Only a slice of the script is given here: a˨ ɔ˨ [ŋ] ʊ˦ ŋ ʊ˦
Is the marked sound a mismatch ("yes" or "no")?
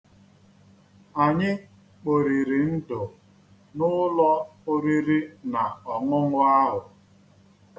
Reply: no